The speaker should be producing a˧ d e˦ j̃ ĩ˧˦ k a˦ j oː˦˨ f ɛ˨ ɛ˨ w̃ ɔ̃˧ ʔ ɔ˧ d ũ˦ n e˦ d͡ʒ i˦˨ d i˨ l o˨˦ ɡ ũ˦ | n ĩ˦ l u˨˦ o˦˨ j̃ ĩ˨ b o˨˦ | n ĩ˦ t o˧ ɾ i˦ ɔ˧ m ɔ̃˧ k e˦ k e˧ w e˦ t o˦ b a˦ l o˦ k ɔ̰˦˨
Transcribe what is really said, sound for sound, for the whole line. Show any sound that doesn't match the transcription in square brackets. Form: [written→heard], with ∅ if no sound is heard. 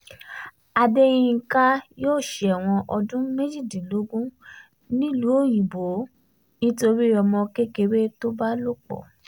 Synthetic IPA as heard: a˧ d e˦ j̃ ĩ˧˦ k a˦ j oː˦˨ [f→ʃ] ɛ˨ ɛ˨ w̃ ɔ̃˧ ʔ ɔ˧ d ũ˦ [n→m] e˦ d͡ʒ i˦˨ d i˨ l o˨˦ ɡ ũ˦ | n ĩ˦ l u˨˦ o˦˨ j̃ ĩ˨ b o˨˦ | n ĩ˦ t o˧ ɾ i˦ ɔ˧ m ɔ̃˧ k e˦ k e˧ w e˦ t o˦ b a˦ l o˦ [k→k͡p] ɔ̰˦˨